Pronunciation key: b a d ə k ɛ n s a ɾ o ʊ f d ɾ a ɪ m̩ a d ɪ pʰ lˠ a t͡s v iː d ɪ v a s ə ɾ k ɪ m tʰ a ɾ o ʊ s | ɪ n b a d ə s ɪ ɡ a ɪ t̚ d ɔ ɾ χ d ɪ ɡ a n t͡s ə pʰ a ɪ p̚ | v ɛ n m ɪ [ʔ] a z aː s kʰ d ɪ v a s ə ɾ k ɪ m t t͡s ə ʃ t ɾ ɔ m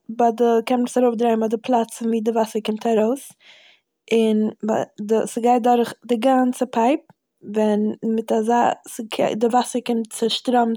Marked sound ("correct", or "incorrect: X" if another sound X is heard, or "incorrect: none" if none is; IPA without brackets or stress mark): incorrect: t